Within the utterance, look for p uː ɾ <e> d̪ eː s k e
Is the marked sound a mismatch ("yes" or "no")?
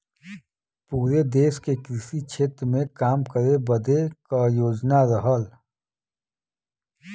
no